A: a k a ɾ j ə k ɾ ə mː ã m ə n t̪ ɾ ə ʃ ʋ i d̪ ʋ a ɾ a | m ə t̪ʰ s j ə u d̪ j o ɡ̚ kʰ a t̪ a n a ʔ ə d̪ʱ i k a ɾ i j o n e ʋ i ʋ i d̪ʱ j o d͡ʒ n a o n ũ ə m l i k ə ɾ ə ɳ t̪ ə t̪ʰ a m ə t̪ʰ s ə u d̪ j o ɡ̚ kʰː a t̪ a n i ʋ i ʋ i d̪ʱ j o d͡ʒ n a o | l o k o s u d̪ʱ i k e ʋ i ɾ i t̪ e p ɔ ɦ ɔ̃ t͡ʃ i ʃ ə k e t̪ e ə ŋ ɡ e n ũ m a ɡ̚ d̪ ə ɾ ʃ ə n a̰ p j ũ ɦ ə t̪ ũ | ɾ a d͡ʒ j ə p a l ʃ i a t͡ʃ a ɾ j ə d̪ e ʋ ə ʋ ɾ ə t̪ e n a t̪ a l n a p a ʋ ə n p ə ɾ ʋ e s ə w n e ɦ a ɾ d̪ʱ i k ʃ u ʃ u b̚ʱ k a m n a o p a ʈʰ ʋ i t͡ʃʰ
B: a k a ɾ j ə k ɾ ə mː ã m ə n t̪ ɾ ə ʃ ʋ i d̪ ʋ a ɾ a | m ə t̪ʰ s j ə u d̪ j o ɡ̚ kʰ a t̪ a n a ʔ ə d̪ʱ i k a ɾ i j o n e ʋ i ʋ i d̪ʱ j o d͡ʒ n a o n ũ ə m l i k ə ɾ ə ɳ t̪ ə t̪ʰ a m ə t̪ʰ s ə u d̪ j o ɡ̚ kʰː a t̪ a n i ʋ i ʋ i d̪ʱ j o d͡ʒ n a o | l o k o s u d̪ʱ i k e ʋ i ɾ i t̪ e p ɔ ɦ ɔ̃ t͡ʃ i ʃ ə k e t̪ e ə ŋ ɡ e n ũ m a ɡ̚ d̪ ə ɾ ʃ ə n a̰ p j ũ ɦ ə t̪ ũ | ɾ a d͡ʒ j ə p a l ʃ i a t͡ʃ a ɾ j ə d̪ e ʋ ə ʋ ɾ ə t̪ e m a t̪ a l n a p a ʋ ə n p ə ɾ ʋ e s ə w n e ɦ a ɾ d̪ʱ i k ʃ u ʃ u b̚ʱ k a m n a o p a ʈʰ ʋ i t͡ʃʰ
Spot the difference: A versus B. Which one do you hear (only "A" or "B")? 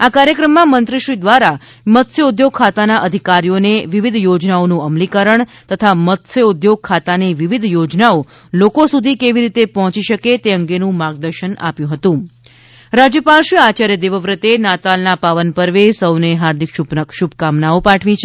A